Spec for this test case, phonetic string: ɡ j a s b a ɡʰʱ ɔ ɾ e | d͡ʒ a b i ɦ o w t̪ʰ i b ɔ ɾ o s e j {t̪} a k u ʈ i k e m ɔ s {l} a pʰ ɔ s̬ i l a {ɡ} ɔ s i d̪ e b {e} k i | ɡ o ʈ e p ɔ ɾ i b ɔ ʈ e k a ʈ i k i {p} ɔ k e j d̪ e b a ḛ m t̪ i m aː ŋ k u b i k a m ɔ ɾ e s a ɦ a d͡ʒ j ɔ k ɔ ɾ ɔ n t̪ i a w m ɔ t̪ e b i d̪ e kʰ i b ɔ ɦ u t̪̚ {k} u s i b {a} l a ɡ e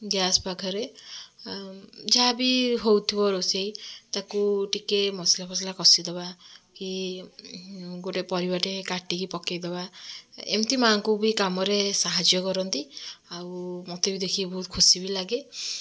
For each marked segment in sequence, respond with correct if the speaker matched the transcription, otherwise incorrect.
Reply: correct, correct, incorrect, incorrect, correct, incorrect, incorrect

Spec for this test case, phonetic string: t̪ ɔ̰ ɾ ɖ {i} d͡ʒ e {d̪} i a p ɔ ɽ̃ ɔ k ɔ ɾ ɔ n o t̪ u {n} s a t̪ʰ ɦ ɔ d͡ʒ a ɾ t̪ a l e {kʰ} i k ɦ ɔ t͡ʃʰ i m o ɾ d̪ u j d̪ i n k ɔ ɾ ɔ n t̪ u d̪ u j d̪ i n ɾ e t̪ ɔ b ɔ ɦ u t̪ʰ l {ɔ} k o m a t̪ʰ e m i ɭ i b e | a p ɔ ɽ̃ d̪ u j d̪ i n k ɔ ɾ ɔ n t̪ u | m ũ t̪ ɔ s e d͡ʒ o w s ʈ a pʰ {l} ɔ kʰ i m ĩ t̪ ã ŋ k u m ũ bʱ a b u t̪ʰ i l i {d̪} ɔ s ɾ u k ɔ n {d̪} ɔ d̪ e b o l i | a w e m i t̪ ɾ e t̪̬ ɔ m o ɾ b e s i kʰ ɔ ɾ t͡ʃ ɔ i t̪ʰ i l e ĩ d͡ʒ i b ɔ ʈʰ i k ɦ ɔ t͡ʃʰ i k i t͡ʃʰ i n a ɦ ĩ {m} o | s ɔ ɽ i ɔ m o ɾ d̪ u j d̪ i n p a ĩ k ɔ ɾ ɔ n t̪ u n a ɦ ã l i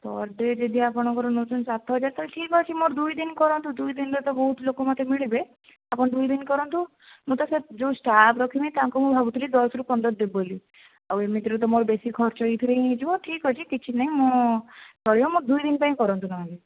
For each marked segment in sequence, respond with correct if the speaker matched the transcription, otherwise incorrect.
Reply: incorrect, correct, correct, incorrect, incorrect, incorrect, correct, correct, correct

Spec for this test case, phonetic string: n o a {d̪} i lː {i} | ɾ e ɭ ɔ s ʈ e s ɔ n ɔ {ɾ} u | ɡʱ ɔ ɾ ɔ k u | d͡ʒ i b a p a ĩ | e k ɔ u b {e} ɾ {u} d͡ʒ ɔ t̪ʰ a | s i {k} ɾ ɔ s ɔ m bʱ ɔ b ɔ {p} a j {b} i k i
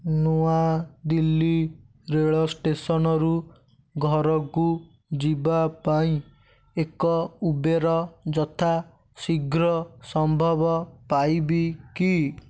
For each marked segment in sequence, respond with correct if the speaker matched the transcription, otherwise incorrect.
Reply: correct, correct, correct, correct, incorrect, incorrect, correct, correct

